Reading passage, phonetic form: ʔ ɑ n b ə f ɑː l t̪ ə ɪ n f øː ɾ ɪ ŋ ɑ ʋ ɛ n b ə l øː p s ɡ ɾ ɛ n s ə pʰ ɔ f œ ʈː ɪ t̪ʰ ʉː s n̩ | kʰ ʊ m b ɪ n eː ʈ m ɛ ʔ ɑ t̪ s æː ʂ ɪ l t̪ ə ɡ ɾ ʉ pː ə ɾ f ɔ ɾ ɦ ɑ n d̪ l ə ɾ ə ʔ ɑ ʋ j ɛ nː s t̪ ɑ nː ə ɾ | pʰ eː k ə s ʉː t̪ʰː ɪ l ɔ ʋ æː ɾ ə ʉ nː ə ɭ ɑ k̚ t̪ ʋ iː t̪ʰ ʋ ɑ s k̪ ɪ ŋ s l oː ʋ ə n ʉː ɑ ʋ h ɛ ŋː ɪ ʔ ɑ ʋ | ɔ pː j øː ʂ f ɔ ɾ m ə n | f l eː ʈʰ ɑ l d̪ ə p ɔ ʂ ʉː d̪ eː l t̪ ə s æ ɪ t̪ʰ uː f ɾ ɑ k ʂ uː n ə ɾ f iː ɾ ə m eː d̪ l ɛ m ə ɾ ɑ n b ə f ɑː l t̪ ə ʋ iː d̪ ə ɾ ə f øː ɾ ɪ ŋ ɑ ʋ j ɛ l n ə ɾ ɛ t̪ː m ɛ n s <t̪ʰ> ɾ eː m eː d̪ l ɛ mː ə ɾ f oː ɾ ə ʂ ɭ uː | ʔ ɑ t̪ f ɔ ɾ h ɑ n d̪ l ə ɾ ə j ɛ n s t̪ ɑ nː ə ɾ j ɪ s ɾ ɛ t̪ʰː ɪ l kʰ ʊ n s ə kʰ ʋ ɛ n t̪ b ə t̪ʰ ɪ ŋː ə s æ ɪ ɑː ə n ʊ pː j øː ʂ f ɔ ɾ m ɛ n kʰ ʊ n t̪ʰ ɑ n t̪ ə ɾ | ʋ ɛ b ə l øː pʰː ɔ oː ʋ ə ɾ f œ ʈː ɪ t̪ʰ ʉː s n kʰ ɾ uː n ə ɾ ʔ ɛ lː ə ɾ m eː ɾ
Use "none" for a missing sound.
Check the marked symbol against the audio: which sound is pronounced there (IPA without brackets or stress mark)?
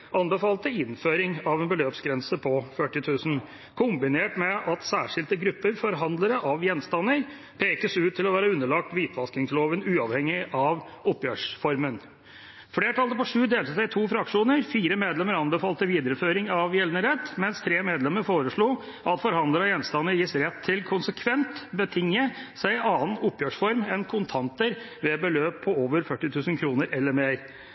t̪ʰ